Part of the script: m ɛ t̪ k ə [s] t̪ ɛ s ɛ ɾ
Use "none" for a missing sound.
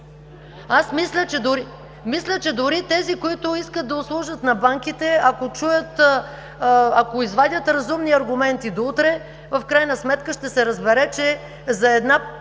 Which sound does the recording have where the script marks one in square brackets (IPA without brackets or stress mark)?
ʃ